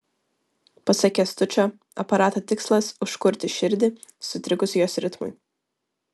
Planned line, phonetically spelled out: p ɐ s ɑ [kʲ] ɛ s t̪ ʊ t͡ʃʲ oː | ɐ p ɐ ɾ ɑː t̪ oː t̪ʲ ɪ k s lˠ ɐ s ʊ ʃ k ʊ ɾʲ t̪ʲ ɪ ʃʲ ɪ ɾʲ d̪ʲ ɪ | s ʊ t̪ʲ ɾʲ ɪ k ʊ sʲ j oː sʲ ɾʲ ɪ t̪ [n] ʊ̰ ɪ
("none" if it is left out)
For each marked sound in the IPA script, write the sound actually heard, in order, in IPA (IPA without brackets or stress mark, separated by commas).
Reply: kʲ, m